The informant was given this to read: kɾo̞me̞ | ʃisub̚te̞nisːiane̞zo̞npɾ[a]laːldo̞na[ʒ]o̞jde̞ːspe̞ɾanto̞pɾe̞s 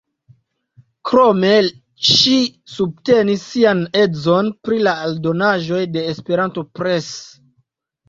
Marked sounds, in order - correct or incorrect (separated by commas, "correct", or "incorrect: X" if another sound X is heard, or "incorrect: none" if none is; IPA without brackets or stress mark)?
incorrect: i, correct